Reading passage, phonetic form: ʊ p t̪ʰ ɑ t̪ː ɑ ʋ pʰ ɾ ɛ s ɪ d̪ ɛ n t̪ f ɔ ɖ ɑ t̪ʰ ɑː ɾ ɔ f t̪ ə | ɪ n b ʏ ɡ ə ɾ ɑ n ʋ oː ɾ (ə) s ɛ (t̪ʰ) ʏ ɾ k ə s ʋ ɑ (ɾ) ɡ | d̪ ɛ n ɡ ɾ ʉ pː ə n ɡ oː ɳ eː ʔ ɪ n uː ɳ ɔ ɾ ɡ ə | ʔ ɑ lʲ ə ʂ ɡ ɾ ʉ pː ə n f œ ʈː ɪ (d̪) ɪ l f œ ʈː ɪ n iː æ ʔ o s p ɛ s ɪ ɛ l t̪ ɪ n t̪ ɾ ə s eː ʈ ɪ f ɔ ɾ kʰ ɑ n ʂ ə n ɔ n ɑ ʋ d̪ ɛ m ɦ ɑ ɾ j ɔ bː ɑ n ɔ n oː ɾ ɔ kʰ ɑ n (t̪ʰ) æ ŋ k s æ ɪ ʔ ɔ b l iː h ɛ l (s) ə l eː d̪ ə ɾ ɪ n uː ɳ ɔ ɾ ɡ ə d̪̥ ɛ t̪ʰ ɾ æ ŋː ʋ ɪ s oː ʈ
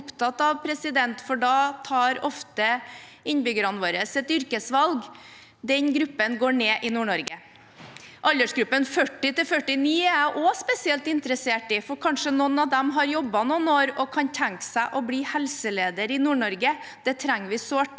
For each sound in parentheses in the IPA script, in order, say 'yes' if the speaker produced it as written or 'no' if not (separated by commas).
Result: yes, no, no, no, yes, yes